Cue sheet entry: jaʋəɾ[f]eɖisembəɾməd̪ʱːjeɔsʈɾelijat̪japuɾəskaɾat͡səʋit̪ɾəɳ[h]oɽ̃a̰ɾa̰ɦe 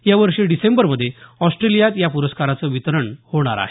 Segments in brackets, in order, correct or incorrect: incorrect, correct

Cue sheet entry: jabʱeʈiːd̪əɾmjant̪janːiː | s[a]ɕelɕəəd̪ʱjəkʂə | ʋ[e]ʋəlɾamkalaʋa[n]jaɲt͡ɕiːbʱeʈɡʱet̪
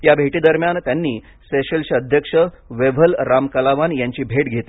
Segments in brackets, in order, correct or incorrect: incorrect, correct, correct

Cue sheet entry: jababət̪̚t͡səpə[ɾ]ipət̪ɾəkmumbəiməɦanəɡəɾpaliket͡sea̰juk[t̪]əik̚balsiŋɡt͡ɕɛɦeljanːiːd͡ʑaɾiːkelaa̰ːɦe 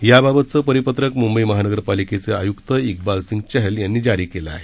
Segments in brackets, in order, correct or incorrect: correct, correct

